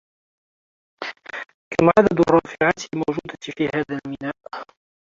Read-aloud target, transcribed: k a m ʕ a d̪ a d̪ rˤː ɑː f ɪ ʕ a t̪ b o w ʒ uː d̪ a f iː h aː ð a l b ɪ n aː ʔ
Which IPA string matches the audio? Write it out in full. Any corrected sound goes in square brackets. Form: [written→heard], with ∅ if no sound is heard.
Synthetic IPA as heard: k a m ʕ a d̪ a d̪ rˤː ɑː f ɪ ʕ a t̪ [b→m] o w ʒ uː d̪ a f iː h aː ð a l [b→m] ɪ n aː ʔ